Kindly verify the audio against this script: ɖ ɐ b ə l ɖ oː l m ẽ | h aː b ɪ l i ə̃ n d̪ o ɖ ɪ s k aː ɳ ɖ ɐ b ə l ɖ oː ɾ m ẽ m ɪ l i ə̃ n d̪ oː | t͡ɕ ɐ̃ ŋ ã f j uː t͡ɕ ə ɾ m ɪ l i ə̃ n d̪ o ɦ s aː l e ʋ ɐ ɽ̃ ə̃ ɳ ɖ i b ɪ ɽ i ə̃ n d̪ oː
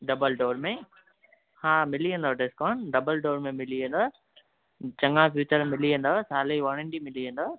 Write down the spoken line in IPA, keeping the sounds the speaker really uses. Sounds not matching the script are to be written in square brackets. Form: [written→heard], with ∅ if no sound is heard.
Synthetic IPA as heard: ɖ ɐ b ə l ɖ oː [l→ɾ] m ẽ | h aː [b→m] ɪ l i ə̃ n d̪ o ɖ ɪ s k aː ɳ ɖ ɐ b ə l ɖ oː ɾ m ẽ m ɪ l i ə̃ n d̪ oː | t͡ɕ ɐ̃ ŋ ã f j uː t͡ɕ ə ɾ m ɪ l i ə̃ n d̪ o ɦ s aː l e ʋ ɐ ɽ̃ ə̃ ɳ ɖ i [b→m] ɪ [ɽ→l] i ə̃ n d̪ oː

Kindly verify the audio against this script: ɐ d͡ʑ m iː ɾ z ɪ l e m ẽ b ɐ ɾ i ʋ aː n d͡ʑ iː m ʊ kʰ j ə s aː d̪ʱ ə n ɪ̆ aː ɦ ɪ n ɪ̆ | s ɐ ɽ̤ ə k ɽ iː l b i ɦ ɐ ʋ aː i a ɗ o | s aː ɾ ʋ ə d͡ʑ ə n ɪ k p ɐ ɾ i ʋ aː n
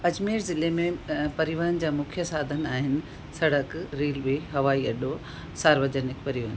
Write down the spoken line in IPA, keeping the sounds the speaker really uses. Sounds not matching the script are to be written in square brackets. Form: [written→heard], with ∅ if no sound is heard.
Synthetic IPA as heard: ɐ d͡ʑ m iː ɾ z ɪ l e m ẽ [b→p] ɐ ɾ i ʋ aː n d͡ʑ [iː→aː] m ʊ kʰ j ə s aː d̪ʱ ə n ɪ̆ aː ɦ ɪ n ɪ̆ | s ɐ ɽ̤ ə k [ɽ→ɾ] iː l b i ɦ ɐ ʋ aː i [a→ɐ] ɗ o | s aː ɾ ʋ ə d͡ʑ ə n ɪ k p ɐ ɾ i ʋ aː n

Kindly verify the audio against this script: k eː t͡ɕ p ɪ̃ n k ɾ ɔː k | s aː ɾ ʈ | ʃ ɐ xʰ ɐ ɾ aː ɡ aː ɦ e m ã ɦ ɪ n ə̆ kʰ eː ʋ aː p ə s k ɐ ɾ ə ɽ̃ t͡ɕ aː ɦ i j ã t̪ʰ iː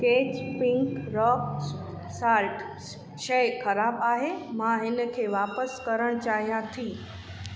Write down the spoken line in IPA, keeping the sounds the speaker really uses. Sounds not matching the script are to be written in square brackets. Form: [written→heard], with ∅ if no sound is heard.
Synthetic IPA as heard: k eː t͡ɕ p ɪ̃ [n→ŋ] k ɾ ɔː k | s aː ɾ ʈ | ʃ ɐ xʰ ɐ ɾ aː [ɡ→b] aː ɦ e m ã ɦ ɪ n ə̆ kʰ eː ʋ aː p ə s k ɐ ɾ ə ɽ̃ t͡ɕ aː ɦ i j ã t̪ʰ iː

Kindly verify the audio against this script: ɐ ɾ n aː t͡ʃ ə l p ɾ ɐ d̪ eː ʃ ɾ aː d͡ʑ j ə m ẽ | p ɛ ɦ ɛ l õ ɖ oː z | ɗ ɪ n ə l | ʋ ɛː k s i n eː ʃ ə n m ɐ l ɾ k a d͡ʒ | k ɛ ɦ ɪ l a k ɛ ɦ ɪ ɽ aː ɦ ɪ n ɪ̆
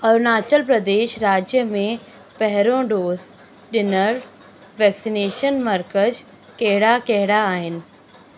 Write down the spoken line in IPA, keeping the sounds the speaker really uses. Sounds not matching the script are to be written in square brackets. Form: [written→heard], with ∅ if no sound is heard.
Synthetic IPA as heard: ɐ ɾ n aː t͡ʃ ə l p ɾ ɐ d̪ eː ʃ ɾ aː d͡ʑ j ə m ẽ | p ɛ ɦ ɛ [l→ɾ] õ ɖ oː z | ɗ ɪ n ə [l→ɾ] | ʋ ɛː k s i n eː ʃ ə n m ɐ [l→∅] ɾ k [a→ə] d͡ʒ | k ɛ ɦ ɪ [l→ɽ] a k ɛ ɦ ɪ ɽ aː ɦ ɪ n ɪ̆

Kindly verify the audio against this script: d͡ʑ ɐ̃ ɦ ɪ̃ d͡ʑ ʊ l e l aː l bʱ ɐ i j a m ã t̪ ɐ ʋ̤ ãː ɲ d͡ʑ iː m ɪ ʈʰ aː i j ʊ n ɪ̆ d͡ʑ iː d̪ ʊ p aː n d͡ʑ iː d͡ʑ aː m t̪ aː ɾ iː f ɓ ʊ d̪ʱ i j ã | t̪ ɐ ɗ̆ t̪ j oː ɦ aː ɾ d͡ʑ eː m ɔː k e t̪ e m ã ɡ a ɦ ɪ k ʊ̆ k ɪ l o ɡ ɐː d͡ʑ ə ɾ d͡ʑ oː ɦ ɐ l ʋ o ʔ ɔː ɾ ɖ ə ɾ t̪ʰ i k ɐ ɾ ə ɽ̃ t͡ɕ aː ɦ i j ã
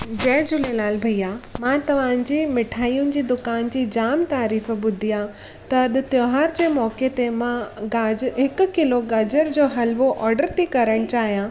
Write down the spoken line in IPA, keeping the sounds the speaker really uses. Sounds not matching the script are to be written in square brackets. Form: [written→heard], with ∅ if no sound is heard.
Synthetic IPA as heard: d͡ʑ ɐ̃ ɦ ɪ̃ d͡ʑ ʊ l e l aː l bʱ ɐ i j a m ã t̪ ɐ ʋ̤ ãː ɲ d͡ʑ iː m ɪ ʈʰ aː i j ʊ n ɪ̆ d͡ʑ iː d̪ ʊ [p→k] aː n d͡ʑ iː d͡ʑ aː m t̪ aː ɾ iː f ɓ ʊ d̪ʱ i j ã | t̪ ɐ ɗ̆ t̪ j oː ɦ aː ɾ d͡ʑ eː m ɔː k e t̪ e m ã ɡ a ɦ ɪ k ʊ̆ k ɪ l o ɡ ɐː d͡ʑ ə ɾ d͡ʑ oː ɦ ɐ l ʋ o ʔ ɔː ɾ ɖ ə ɾ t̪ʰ i k ɐ ɾ ə ɽ̃ t͡ɕ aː ɦ i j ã

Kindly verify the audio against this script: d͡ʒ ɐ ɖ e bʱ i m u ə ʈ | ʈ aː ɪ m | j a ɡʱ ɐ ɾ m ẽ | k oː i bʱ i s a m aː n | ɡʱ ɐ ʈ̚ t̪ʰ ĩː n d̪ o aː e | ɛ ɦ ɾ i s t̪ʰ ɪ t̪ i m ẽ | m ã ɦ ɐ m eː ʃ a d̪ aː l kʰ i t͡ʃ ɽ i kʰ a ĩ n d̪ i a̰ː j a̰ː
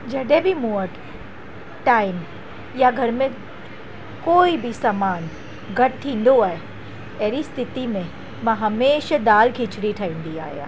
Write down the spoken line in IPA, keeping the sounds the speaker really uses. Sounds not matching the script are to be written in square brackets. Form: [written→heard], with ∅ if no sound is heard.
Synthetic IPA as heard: d͡ʒ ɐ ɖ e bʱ i m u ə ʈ | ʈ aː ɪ m | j a ɡʱ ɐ ɾ m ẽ | k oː i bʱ i s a m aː n | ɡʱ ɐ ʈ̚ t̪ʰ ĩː n d̪ o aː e | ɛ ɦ ɾ i s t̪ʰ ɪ t̪ i m ẽ | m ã ɦ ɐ m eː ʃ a d̪ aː l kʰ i t͡ʃ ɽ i [kʰ→ʈʰ] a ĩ n d̪ i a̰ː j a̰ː

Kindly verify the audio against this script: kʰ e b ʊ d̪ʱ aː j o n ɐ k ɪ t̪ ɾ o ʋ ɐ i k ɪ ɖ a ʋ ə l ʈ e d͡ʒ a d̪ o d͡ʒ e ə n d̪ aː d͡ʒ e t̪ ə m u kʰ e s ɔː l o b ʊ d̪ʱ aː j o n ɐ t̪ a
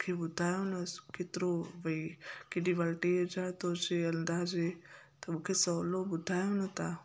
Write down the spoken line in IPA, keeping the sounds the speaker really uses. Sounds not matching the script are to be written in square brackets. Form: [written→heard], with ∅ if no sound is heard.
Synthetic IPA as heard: kʰ e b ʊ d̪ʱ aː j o n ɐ k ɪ t̪ ɾ o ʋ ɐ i k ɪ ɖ [a→i] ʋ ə l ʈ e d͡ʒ a [d̪→t̪] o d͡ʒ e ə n d̪ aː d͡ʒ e t̪ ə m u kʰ e s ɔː l o b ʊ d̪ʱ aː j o n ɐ t̪ a

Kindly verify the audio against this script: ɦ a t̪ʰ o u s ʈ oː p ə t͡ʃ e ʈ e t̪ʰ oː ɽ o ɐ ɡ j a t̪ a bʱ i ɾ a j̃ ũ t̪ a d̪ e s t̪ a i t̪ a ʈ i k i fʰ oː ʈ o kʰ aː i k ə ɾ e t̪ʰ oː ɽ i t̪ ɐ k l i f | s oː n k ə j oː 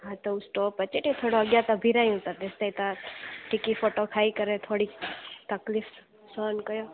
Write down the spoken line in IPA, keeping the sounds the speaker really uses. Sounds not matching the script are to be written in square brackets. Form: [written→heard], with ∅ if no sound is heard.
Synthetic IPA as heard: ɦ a [t̪ʰ→t̪] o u s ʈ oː p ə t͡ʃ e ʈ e t̪ʰ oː ɽ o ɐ ɡ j a t̪ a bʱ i ɾ a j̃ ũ t̪ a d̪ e s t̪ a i t̪ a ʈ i k i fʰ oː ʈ o kʰ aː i k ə ɾ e t̪ʰ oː ɽ i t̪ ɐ k l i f | s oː n k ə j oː

